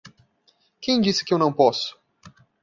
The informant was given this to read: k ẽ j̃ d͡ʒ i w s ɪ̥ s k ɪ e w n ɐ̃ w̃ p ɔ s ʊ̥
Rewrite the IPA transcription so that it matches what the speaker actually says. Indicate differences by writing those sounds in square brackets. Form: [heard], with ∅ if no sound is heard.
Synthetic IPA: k ẽ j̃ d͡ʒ i [∅] s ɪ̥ [∅] k ɪ e w n ɐ̃ w̃ p ɔ s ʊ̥

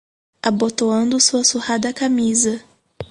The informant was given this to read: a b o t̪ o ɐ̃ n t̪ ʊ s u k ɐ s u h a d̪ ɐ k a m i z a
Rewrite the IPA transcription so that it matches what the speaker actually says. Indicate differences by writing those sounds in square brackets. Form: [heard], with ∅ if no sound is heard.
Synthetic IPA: a b o t̪ o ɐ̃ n [d̪] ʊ s u [∅] ɐ s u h a d̪ ɐ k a m i z [ɐ]

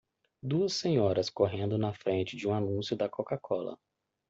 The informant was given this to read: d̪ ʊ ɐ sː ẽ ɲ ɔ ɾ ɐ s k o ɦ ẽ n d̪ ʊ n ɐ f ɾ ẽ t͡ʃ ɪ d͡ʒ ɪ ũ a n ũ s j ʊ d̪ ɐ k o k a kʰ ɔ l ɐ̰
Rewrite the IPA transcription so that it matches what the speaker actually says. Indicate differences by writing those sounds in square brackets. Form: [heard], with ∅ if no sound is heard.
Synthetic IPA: d̪ [u] ɐ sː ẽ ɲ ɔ ɾ ɐ s k o ɦ ẽ n d̪ ʊ n ɐ f ɾ ẽ t͡ʃ ɪ d͡ʒ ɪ ũ a n ũ s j ʊ d̪ ɐ k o k a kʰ ɔ l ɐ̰

